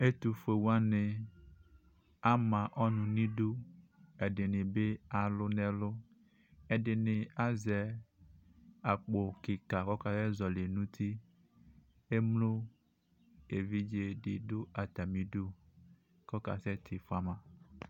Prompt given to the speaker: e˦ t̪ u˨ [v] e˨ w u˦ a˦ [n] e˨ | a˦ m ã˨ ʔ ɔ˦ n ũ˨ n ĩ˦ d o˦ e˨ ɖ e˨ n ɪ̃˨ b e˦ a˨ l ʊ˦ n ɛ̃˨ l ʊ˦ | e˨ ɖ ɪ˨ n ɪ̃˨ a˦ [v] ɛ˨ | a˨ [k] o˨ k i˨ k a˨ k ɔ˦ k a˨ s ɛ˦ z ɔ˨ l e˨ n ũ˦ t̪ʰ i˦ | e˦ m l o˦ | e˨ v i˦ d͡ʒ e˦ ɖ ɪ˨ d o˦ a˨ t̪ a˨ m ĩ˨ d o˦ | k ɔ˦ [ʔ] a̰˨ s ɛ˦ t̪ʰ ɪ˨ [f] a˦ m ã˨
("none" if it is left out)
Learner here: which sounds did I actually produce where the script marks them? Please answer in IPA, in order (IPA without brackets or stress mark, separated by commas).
f, n, z, k͡p, k, f